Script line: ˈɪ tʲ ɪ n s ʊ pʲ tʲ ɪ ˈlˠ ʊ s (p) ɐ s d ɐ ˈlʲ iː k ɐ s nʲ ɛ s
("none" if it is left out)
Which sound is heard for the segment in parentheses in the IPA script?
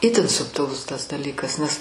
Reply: t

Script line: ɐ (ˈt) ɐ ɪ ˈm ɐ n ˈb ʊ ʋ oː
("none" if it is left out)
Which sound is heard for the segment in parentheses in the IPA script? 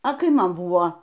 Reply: k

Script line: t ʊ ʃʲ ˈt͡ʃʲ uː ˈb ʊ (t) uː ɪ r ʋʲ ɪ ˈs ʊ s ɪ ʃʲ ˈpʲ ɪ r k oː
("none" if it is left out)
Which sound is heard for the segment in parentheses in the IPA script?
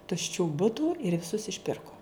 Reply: t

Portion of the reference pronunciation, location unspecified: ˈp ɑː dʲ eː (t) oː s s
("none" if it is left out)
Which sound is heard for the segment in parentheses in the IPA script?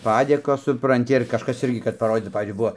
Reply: k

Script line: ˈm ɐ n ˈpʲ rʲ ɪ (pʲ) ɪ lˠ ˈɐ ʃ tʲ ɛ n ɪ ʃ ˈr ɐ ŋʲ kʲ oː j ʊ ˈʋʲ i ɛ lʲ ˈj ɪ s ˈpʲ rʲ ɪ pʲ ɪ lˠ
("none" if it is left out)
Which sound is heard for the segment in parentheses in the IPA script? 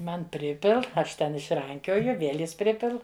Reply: pʲ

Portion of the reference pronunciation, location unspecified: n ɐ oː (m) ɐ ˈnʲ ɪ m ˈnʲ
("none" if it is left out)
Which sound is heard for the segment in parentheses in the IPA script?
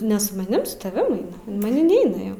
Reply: m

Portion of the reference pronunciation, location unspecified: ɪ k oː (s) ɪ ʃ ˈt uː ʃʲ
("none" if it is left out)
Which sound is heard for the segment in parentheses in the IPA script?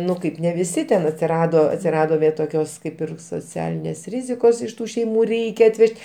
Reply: s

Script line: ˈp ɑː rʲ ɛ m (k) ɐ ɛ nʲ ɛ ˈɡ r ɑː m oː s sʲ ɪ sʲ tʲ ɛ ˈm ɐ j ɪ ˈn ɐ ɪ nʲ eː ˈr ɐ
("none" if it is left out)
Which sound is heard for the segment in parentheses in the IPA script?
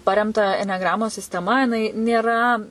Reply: t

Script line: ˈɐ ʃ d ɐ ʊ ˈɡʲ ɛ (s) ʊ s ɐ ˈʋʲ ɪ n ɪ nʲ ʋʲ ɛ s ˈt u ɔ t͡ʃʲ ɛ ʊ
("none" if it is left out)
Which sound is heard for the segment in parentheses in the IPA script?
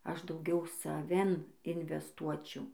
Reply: none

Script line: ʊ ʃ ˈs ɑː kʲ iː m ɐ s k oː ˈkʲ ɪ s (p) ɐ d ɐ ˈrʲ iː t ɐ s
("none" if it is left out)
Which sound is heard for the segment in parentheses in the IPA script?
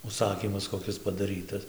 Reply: p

